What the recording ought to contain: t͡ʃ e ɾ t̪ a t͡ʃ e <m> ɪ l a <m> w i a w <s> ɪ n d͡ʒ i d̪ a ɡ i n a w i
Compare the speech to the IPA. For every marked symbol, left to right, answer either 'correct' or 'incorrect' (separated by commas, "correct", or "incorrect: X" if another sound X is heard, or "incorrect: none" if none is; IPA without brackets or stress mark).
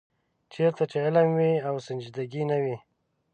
incorrect: none, correct, correct